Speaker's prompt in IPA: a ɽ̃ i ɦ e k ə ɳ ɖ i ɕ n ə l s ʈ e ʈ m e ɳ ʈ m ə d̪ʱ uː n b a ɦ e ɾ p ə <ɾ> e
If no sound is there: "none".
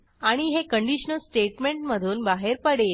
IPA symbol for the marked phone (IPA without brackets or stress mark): ɽ